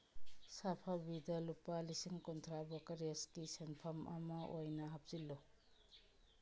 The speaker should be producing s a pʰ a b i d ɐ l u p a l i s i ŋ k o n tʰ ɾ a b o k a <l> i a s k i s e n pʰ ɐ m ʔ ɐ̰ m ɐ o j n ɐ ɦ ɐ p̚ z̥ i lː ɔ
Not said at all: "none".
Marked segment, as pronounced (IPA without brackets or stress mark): ɾ